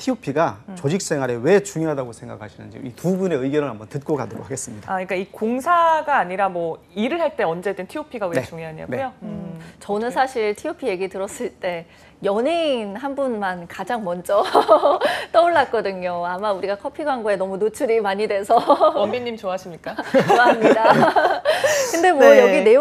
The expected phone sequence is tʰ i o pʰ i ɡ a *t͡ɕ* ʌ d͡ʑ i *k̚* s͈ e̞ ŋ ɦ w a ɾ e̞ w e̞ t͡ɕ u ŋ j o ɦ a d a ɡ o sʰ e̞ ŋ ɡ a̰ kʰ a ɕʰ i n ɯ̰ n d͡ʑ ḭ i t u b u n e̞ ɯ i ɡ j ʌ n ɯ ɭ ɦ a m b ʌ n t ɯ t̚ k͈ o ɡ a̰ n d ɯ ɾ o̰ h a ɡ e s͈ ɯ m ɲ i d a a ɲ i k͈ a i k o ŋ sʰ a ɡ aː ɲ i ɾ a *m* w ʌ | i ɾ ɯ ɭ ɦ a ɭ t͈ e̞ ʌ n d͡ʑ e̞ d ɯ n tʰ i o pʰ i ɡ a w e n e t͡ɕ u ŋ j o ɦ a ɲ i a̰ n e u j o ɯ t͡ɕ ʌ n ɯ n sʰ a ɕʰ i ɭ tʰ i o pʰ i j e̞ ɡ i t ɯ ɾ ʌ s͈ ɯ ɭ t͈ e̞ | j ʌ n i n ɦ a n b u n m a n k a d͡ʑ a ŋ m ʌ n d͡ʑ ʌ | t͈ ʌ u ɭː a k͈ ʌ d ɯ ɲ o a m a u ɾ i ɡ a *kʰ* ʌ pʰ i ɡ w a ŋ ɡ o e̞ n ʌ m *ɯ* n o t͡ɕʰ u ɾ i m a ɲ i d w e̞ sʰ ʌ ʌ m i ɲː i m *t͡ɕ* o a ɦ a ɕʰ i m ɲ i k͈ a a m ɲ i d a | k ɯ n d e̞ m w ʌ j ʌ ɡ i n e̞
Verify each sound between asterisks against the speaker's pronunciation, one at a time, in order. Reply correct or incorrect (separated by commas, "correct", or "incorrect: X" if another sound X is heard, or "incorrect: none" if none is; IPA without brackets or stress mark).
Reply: correct, correct, correct, correct, incorrect: u, correct